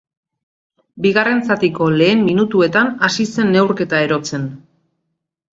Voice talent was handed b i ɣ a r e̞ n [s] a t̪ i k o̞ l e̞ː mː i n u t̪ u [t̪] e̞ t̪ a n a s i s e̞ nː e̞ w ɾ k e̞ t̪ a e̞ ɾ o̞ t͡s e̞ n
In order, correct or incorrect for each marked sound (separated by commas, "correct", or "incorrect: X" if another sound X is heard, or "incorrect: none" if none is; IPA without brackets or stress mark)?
incorrect: t͡s, incorrect: none